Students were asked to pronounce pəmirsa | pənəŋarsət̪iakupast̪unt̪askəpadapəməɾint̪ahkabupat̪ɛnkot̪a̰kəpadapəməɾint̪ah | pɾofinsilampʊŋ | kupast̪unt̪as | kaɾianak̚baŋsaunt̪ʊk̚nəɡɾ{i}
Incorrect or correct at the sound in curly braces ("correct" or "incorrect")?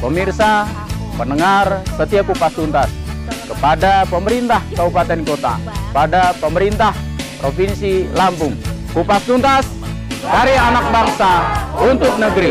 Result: correct